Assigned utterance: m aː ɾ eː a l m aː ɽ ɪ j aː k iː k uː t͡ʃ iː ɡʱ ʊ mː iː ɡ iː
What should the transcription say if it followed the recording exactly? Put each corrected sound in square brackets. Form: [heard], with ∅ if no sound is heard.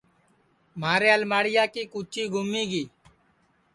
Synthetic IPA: m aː ɾ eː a l m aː ɽ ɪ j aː k iː k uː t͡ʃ iː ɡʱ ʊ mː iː ɡ iː